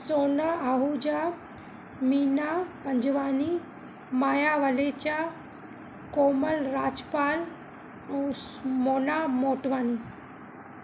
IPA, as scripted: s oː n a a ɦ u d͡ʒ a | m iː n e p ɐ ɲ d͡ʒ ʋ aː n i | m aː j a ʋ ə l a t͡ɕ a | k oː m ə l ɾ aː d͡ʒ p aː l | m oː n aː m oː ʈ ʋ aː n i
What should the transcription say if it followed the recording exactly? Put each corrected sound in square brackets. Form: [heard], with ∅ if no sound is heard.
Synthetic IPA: s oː n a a ɦ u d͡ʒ a | m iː n [a] p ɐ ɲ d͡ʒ ʋ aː n i | m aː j a ʋ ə l [e] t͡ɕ a | k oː m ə l ɾ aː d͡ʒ p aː l | m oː n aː m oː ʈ ʋ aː n i